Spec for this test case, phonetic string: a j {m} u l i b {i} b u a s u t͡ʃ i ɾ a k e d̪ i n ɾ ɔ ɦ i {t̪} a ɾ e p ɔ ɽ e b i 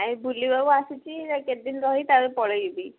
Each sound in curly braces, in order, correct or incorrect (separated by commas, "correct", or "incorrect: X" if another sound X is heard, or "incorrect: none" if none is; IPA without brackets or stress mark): incorrect: b, incorrect: a, correct